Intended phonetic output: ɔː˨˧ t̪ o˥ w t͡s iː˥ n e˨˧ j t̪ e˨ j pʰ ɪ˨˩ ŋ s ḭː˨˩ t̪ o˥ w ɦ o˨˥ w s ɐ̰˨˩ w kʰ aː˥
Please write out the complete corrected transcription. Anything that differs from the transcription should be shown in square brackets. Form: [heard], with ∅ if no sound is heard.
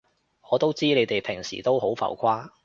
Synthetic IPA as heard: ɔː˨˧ t̪ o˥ w t͡s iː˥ n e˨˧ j t̪ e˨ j pʰ ɪ˨˩ ŋ s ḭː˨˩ t̪ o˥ w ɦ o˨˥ w [f] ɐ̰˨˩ w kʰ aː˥